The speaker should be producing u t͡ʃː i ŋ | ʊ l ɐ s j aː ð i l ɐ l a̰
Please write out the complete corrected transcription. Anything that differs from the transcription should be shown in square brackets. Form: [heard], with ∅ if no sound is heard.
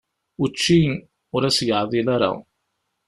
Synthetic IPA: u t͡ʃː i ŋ | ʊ [ɾ] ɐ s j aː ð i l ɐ [ɾ] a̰